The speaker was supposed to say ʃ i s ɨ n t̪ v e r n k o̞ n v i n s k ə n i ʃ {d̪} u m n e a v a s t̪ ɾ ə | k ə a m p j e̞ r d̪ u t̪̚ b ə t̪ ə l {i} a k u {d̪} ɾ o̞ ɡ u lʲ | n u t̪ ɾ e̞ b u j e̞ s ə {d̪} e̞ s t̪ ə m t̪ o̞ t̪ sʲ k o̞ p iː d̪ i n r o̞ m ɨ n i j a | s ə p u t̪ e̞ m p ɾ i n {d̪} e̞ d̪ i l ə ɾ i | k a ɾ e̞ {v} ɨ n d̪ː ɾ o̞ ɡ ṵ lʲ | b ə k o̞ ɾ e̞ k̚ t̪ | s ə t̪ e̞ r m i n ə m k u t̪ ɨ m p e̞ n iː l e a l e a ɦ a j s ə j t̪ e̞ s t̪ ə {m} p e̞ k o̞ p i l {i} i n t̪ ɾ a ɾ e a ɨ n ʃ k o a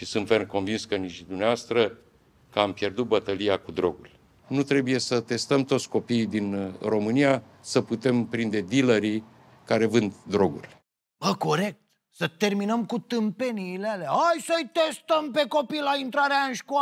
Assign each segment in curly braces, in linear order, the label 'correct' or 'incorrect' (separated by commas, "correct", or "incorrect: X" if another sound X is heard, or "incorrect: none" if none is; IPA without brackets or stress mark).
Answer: correct, correct, correct, incorrect: t̪, correct, correct, correct, incorrect: a